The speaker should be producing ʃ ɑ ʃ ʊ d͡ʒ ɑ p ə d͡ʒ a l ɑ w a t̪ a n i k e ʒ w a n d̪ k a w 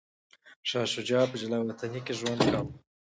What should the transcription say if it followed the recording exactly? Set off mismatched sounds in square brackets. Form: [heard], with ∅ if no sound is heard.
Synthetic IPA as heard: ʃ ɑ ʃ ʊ d͡ʒ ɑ p ə d͡ʒ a l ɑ w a t̪ a n i k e ʒ w a n d̪ k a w